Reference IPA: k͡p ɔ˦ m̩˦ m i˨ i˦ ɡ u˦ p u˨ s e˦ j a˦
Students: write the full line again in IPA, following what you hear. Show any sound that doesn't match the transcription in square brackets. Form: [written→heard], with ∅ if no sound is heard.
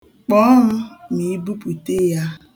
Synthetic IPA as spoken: k͡p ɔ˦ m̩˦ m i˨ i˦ [ɡ→b] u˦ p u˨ [s→t] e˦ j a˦